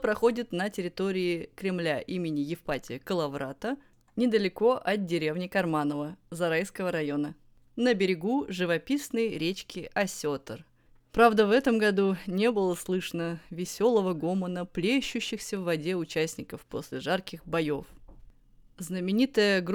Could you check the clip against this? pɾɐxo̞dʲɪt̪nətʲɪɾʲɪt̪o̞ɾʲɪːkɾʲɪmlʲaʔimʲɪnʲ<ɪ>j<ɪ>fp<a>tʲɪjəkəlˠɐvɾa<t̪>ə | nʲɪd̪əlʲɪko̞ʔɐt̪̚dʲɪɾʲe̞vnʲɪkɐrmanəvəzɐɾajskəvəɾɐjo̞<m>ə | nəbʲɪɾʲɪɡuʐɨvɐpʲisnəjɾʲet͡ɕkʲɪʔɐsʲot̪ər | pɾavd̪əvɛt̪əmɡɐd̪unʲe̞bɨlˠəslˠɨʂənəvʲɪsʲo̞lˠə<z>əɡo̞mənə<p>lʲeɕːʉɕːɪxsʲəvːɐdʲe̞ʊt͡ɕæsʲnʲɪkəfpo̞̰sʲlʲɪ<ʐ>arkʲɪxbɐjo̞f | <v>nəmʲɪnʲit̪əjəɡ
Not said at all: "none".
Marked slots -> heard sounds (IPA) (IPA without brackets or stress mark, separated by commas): ɪ, ɪ, a, t̪, n, v, p, ʐ, z